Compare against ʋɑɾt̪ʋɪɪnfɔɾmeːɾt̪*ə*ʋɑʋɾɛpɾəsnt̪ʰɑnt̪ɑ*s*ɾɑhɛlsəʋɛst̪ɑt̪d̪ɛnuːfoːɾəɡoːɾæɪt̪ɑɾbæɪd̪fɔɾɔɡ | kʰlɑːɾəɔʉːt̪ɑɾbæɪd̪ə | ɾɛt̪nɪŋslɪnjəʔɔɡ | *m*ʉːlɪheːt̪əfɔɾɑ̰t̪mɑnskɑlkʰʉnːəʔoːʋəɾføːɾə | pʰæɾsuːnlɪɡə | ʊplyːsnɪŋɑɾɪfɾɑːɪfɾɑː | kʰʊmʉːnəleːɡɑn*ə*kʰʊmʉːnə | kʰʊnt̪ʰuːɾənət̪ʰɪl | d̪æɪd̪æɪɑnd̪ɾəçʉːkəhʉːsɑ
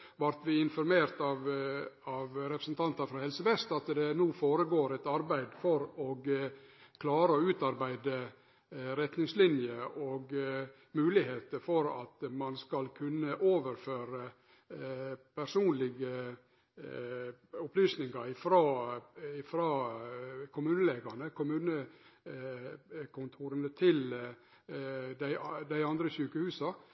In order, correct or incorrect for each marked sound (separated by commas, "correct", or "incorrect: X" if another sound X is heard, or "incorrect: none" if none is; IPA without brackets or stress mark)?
incorrect: ɑ, incorrect: f, correct, correct